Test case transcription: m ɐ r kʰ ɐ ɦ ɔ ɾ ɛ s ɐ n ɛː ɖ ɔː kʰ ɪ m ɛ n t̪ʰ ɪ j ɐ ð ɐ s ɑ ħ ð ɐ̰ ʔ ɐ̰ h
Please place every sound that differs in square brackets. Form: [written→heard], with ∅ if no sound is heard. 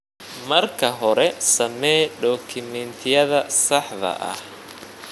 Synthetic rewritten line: m ɐ r kʰ ɐ ɦ ɔ ɾ ɛ s ɐ [n→m] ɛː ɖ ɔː kʰ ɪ m ɛ n t̪ʰ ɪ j ɐ ð ɐ s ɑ ħ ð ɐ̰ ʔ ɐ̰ h